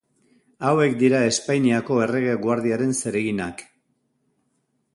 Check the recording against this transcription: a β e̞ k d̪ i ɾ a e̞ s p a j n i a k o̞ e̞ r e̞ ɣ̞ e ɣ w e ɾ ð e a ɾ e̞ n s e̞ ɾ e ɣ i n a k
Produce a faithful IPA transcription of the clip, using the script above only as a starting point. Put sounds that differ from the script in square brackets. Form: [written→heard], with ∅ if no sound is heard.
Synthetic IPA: a [β→w] e̞ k d̪ i ɾ a e̞ s p a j n i a k o̞ e̞ r e̞ ɣ̞ e ɣ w [e→a] ɾ ð [e→i] a ɾ e̞ n s e̞ ɾ e ɣ i n a k